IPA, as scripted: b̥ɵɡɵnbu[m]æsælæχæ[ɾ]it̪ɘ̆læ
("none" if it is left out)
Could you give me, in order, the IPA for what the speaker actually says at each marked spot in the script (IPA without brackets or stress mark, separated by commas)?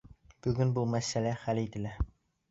m, l